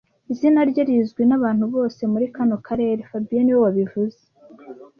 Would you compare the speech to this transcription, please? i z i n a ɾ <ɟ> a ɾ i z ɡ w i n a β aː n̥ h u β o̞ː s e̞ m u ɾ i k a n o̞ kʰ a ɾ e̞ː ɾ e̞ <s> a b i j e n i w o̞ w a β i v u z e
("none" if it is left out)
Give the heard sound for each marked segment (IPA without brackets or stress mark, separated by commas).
ɟ, f